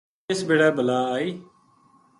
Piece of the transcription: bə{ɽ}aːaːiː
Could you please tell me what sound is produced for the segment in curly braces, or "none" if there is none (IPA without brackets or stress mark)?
l